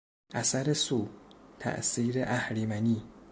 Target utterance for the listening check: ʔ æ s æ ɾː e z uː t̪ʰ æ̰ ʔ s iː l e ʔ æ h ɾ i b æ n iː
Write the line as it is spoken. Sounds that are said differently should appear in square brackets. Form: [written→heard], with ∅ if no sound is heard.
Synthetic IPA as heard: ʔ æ s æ [ɾː→ɾ] e [z→s] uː t̪ʰ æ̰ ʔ s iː [l→ɾ] e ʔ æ h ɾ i [b→m] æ n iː